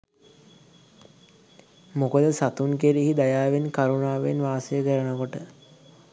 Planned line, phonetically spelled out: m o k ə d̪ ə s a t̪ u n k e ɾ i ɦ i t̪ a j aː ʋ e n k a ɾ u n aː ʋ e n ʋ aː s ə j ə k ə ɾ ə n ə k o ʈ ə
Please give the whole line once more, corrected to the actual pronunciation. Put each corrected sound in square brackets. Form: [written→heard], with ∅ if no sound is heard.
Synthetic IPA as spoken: m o k ə d̪ ə s a t̪ u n k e ɾ i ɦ i [t̪→d̪] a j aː ʋ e n k a ɾ u n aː ʋ e n ʋ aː s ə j ə k ə ɾ ə n ə k o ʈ ə